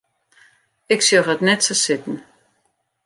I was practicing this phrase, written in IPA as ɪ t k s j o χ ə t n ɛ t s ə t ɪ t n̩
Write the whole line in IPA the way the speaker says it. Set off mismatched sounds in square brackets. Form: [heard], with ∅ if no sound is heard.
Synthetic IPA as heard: ɪ [∅] k s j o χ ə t n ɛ t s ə [s] ɪ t n̩